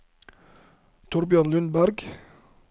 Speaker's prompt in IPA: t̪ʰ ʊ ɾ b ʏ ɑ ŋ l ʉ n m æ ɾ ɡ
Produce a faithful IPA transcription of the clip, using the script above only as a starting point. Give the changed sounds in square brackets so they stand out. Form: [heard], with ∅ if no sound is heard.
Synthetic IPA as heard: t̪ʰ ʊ ɾ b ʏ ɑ [n] l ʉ n [b] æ ɾ ɡ